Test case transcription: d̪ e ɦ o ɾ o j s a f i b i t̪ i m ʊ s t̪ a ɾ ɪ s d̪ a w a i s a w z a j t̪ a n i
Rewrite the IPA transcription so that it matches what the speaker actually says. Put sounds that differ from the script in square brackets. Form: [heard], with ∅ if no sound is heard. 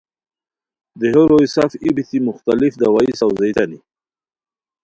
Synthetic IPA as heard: d̪ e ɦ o ɾ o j s a f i b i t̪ i m ʊ [x] t̪ a [l] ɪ [f] d̪ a w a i s a w z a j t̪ a n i